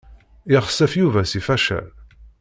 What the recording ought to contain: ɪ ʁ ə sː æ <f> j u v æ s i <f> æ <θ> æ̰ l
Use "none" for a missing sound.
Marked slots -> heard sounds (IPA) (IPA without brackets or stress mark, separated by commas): f, f, ʃ